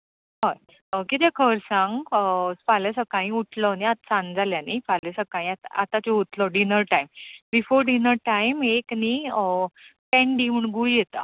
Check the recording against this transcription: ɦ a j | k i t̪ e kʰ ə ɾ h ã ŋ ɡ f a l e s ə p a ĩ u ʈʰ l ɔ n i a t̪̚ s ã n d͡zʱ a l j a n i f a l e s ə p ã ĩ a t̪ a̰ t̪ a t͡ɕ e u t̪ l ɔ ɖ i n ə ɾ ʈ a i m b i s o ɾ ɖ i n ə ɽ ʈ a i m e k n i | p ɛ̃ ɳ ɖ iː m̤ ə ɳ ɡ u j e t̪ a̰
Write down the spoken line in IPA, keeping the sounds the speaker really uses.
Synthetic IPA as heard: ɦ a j | k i t̪ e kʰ ə ɾ s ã ŋ ɡ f a l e s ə k a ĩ u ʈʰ l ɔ n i a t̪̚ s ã n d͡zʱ a l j a n i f a l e s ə k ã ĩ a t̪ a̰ t̪ a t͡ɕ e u t̪ l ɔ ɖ i n ə ɾ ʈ a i m b i f o ɾ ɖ i n ə ɾ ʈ a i m e k n i | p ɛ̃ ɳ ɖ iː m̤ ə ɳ ɡ u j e t̪ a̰